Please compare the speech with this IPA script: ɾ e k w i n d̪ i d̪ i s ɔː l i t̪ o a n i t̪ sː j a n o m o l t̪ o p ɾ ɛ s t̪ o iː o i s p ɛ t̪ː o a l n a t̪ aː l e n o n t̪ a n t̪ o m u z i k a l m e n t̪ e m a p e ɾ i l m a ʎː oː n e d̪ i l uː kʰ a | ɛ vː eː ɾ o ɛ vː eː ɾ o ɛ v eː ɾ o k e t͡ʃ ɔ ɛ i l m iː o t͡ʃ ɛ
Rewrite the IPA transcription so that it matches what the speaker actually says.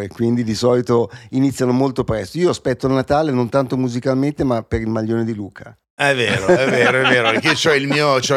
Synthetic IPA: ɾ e k w i n d̪ i d̪ i s ɔː l i t̪ o i n i t̪ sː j a n o m o l t̪ o p ɾ ɛ s t̪ o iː o a s p ɛ t̪ː o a l n a t̪ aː l e n o n t̪ a n t̪ o m u z i k a l m e n t̪ e m a p e ɾ i l m a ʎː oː n e d̪ i l uː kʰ a | ɛ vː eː ɾ o ɛ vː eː ɾ o ɛ v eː ɾ o k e t͡ʃ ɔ ɛ i l m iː o t͡ʃ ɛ